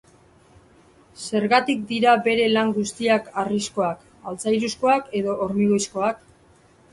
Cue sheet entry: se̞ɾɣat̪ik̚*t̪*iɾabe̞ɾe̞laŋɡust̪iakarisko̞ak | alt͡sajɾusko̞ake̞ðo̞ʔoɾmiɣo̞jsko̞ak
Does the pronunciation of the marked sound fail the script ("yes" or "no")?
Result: yes